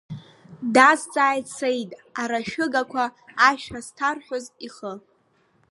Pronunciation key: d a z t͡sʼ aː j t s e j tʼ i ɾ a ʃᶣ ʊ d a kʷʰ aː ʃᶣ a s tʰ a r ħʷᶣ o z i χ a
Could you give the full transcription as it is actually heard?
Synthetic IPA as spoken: d a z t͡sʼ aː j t s e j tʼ a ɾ a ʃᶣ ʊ ɡ a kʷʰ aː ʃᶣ a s tʰ a r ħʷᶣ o z i χ ə